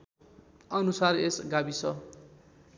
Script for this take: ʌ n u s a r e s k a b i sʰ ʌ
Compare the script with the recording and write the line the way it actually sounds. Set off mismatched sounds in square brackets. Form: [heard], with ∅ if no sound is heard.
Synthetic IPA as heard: ʌ n u s a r e s [ɡ] a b i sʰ ʌ